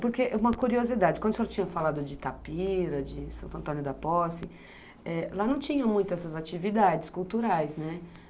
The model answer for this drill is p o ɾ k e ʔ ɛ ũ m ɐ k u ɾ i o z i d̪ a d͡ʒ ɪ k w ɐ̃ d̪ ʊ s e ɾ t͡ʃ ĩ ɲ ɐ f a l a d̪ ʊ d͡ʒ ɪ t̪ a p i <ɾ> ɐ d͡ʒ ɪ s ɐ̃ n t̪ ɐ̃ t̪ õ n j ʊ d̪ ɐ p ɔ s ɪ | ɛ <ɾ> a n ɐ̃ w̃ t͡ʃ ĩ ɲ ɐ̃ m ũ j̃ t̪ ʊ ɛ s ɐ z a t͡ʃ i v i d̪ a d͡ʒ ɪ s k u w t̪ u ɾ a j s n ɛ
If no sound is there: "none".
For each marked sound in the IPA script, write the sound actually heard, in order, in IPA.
ɾ, l

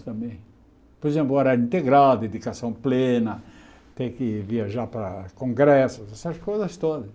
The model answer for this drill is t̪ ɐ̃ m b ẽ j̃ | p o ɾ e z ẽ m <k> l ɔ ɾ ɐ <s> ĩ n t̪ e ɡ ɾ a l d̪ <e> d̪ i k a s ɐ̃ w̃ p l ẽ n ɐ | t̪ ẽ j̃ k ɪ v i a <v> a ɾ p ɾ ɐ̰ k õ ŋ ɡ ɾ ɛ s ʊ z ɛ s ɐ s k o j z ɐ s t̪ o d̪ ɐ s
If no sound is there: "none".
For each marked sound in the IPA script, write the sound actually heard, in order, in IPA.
p, none, e, ʒ

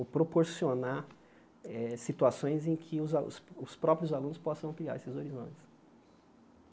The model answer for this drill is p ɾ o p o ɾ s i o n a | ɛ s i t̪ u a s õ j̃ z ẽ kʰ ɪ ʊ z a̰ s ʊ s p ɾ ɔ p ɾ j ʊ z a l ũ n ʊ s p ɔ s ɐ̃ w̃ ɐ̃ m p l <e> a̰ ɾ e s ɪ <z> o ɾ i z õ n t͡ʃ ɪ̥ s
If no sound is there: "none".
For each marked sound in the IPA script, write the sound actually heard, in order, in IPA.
i, z

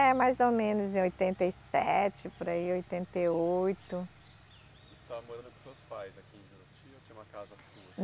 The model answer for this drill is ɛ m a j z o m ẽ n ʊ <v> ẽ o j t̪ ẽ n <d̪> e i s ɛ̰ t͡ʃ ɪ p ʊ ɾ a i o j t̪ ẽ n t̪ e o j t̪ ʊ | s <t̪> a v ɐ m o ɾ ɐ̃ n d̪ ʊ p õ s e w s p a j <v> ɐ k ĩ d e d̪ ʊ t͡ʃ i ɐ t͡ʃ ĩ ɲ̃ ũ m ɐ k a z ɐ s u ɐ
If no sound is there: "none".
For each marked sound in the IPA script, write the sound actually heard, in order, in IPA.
z, t̪, t̪, z

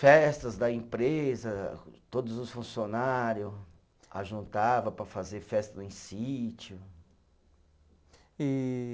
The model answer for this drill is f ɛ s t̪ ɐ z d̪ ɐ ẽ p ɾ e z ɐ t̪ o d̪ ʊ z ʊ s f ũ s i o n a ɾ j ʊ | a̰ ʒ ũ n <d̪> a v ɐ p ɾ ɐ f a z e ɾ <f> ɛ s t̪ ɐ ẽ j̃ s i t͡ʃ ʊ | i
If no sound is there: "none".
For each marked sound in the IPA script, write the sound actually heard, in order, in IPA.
t̪, f

